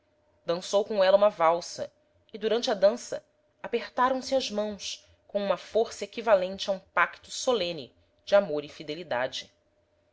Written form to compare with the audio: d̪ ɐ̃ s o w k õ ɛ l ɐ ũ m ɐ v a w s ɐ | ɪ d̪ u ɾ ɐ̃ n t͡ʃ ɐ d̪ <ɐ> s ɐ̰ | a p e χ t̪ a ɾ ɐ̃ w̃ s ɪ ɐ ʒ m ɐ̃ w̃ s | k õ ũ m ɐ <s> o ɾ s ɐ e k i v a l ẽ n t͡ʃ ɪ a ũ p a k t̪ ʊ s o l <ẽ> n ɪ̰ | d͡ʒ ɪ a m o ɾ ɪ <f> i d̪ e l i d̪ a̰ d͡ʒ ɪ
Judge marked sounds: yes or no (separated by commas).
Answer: no, no, yes, yes